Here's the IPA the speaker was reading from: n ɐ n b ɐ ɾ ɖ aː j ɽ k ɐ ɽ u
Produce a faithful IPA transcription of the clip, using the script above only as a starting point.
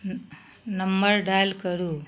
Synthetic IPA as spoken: n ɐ m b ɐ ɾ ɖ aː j l k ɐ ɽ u